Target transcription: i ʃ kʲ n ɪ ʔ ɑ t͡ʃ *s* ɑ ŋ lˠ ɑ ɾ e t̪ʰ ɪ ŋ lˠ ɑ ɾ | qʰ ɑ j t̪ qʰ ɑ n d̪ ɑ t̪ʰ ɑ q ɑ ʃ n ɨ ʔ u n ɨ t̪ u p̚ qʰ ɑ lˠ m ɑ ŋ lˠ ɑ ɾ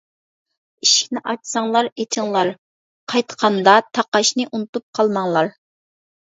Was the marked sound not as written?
no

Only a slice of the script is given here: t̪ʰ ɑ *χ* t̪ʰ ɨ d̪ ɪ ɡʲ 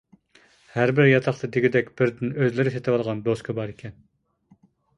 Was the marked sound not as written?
no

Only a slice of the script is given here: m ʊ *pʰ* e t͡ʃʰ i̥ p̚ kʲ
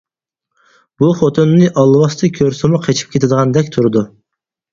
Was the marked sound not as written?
yes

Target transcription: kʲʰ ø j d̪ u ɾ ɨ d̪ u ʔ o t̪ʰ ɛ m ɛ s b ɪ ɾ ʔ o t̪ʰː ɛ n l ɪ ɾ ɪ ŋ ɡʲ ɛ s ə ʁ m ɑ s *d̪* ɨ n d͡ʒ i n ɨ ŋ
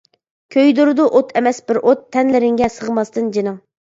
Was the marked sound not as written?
yes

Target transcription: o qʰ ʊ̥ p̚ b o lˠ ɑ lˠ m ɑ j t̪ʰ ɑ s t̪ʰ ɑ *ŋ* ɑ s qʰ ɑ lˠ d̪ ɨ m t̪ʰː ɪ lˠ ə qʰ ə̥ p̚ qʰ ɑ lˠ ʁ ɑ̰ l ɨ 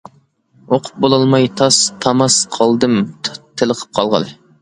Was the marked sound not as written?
yes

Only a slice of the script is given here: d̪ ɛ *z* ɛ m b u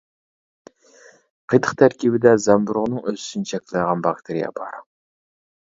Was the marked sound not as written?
no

